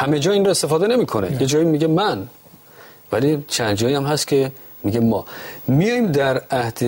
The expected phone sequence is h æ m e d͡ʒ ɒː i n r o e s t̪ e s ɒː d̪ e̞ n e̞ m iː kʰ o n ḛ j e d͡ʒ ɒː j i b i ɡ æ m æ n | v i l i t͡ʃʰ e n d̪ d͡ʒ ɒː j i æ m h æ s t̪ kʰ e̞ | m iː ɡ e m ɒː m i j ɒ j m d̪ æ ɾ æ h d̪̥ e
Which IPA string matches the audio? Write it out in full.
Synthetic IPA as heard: h æ m e d͡ʒ ɒː i n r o e s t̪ e f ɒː d̪ e̞ n e̞ m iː kʰ o n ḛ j e d͡ʒ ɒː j i m i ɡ e m æ n | v æ l i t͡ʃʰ æ n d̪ d͡ʒ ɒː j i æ m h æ s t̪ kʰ e̞ | m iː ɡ e m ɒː m i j ɒ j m d̪ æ ɾ æ h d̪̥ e